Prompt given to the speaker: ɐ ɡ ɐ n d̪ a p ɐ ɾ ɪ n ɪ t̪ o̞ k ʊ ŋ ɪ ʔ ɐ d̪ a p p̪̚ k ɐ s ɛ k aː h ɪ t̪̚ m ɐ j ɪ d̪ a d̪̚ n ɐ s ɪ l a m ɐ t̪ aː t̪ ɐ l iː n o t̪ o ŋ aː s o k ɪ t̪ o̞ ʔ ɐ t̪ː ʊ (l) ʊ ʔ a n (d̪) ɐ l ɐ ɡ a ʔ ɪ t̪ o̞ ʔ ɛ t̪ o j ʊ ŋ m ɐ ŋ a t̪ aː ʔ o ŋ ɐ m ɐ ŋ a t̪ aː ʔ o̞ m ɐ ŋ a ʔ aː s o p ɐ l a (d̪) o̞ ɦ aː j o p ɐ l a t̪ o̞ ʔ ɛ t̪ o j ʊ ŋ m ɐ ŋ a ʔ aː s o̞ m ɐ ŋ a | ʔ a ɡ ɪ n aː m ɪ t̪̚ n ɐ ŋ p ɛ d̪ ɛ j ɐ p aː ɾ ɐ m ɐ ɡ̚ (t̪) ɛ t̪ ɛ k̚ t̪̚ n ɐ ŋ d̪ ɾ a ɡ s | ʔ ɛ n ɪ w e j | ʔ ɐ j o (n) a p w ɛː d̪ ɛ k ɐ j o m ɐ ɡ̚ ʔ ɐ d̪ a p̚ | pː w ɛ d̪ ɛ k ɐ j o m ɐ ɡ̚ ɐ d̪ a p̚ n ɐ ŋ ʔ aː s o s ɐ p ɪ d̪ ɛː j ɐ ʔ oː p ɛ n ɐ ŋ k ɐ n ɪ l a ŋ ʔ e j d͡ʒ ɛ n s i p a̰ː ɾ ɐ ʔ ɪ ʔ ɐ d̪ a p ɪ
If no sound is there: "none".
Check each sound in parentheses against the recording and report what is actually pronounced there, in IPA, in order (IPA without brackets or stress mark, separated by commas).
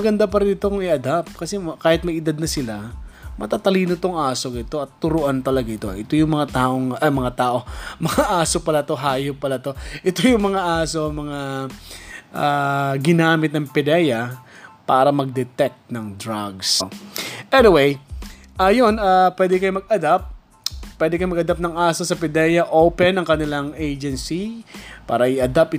ɾ, t̪, t̪, d̪, n